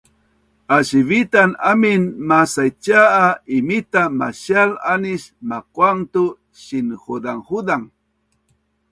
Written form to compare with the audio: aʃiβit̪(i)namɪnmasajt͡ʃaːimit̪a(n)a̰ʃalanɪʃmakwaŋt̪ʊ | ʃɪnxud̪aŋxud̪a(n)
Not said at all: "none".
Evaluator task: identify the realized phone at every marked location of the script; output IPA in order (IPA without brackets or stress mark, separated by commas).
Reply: a, m, ŋ